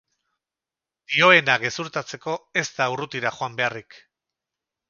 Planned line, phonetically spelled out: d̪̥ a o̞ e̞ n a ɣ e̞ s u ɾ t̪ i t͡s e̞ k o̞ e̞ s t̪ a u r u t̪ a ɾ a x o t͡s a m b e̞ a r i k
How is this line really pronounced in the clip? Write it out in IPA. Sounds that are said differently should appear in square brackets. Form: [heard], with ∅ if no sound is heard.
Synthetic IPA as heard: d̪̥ [i] o̞ e̞ n a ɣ e̞ s u ɾ t̪ [a] t͡s e̞ k o̞ e̞ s t̪ a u r u t̪ [i] ɾ a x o [∅] a m b e̞ a r i k